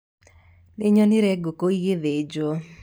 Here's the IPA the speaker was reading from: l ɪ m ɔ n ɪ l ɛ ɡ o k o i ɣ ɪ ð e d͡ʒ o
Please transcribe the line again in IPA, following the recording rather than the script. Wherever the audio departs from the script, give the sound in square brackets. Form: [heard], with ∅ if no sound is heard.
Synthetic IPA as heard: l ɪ [ɲ] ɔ n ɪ [ɾ] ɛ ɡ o k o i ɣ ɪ ð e d͡ʒ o